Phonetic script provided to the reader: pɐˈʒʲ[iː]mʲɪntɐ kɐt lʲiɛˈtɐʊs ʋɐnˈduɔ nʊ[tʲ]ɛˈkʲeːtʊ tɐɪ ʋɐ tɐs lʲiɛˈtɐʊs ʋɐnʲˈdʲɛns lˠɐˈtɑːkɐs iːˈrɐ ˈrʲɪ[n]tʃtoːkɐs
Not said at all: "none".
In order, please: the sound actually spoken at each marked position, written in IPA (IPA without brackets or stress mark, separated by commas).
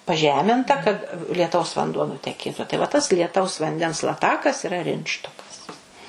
æː, tʲ, n